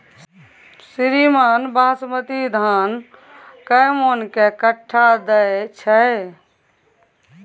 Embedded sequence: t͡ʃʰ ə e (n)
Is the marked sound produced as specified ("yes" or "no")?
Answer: no